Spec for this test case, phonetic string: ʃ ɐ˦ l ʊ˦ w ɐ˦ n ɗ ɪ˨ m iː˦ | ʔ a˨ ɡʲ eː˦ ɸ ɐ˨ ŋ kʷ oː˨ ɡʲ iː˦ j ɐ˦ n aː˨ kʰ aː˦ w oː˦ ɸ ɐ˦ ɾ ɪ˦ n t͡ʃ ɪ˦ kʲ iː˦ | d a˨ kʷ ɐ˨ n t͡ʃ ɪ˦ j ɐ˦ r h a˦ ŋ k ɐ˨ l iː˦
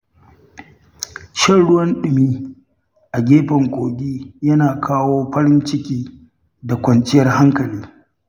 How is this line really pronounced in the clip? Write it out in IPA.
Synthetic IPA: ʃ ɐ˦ ɽ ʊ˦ w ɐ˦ n ɗ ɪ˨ m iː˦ | ʔ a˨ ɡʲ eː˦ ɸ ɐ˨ ŋ kʷ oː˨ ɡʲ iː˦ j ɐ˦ n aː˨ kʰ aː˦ w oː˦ ɸ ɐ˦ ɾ ɪ˦ n t͡ʃ ɪ˦ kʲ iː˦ | d a˨ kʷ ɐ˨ n t͡ʃ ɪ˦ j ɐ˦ r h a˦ ŋ k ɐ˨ l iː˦